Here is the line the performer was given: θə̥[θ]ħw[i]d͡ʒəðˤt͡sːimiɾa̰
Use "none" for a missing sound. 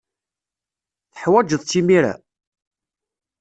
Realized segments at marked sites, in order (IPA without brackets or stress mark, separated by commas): none, æ